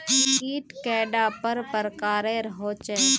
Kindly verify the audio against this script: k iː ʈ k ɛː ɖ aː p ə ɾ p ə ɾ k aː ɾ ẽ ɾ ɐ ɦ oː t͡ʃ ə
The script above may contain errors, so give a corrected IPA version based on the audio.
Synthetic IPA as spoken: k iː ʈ k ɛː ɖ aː p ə ɾ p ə ɾ k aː ɾ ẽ ɾ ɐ ɦ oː t͡ʃ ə